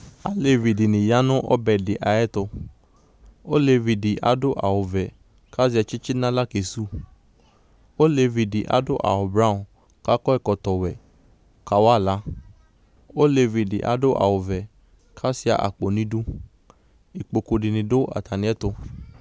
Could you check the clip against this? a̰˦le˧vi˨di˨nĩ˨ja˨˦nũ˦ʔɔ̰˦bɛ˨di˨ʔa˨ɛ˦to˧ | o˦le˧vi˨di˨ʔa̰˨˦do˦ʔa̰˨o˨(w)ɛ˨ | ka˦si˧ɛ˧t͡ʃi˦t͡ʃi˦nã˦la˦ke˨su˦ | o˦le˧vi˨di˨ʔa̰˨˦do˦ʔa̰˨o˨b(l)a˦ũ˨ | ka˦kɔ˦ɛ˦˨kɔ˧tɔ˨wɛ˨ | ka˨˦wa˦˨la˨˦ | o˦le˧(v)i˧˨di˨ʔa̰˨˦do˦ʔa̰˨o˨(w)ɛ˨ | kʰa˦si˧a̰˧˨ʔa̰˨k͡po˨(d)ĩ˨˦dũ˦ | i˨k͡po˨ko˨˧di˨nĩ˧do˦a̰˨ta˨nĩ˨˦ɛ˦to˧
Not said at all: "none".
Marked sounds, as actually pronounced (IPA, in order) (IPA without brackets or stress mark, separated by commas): v, ɾ, v, v, n